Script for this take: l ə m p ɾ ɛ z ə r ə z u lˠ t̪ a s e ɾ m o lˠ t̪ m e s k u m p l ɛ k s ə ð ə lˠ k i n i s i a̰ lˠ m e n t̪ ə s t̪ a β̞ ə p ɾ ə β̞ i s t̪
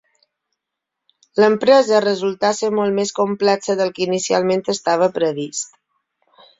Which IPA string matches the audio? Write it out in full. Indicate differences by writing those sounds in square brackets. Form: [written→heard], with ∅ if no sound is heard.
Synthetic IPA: l ə m p ɾ ɛ z ə r ə z u lˠ t̪ a s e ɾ m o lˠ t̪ m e s k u m p l ɛ k s ə ð ə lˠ k i n i s i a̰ lˠ m e n t̪ ə s t̪ a β̞ ə p ɾ ə β̞ i s t̪